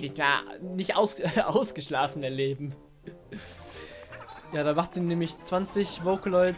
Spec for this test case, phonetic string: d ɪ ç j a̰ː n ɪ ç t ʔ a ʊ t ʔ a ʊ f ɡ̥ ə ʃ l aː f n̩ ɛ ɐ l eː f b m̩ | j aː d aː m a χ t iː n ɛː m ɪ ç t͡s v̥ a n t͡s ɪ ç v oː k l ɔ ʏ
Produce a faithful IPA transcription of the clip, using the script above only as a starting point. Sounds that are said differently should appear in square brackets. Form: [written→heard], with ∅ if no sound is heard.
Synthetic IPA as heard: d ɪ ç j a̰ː n ɪ ç t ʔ a ʊ [t→s] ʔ a ʊ [f→s] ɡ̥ ə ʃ l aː f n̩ ɛ ɐ l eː [f→∅] b m̩ | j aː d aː m a χ t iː n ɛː m ɪ ç t͡s v̥ a n t͡s ɪ ç v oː k l ɔ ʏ